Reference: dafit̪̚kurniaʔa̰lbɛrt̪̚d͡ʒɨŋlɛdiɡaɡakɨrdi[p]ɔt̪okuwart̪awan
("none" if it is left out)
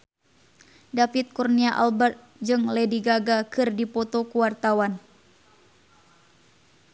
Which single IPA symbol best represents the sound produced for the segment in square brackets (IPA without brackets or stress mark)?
p